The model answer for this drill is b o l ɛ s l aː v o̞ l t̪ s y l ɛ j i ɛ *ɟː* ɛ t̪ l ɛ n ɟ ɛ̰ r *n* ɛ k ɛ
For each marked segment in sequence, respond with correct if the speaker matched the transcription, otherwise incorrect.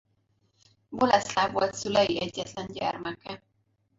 correct, incorrect

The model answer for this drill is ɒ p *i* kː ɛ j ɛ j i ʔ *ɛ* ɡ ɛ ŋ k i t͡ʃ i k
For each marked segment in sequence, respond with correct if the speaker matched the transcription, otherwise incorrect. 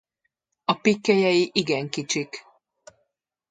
correct, incorrect

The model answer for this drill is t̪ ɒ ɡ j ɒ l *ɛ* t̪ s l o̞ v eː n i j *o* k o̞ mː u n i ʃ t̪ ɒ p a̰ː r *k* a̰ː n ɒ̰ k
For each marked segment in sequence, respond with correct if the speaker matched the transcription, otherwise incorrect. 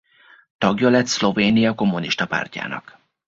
correct, incorrect, incorrect

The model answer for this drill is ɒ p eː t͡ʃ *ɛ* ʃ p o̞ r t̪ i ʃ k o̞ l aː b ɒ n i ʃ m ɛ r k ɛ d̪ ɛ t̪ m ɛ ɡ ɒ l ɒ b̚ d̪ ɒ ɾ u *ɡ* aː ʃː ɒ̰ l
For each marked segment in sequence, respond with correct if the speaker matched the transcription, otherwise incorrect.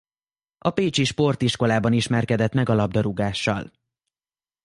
incorrect, correct

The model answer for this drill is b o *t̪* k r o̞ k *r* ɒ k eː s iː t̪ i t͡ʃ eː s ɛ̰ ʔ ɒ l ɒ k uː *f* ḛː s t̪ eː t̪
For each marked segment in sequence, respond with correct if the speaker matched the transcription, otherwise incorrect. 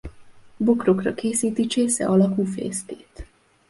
incorrect, correct, correct

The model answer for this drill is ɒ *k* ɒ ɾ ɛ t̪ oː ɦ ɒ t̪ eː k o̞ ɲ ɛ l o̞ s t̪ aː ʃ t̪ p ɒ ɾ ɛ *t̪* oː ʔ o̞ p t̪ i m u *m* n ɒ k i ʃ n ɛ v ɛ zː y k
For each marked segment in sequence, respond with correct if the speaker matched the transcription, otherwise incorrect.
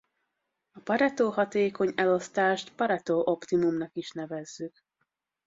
incorrect, correct, correct

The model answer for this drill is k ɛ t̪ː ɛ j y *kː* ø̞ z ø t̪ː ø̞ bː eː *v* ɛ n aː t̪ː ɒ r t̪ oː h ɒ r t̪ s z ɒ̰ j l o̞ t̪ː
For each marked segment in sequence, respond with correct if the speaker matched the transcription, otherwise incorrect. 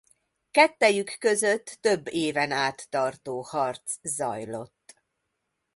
correct, correct

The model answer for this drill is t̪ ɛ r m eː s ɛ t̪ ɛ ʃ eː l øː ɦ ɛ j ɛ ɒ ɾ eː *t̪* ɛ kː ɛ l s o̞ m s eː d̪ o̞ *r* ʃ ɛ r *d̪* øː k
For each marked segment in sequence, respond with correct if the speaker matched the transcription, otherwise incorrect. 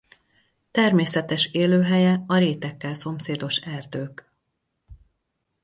correct, incorrect, correct

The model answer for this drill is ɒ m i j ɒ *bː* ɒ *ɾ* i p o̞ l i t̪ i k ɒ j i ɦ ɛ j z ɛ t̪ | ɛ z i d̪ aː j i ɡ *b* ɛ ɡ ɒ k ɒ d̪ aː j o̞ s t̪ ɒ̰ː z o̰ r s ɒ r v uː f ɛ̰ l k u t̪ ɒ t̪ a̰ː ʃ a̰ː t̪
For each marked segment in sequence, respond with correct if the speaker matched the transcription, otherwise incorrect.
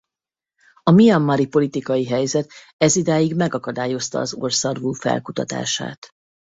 incorrect, correct, incorrect

